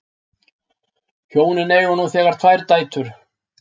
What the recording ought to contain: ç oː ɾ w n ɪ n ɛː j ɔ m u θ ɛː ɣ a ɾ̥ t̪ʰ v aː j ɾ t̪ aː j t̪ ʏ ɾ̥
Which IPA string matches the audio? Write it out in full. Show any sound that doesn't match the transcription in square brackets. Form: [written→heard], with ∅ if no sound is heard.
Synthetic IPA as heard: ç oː [ɾ→∅] w n ɪ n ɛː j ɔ [m→n] u θ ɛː ɣ a ɾ̥ t̪ʰ v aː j ɾ t̪ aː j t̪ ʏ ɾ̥